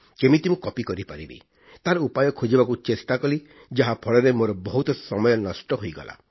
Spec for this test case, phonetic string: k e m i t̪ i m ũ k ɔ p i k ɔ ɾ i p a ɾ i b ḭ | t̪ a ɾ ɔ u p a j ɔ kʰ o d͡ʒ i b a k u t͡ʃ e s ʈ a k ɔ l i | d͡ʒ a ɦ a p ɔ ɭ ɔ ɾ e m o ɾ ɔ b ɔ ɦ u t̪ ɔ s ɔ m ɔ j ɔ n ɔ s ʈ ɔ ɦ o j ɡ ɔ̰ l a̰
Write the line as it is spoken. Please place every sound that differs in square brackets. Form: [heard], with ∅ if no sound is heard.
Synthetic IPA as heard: k e m i t̪ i m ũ k ɔ p i k ɔ ɾ i p a ɾ i b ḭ | t̪ a ɾ ɔ u p a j ɔ kʰ o d͡ʒ i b a k u t͡ʃ e s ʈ a k ɔ l i | d͡ʒ a ɦ a [pʰ] ɔ ɭ ɔ ɾ e m o ɾ ɔ b ɔ ɦ u t̪ ɔ s ɔ m ɔ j ɔ n ɔ s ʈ ɔ ɦ o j ɡ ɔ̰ l a̰